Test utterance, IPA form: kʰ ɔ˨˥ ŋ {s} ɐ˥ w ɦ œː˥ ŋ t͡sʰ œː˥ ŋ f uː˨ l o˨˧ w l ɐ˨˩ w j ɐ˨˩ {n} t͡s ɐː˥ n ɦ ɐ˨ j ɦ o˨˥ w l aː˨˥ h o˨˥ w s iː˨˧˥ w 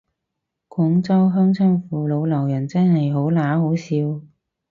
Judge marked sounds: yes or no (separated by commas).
no, yes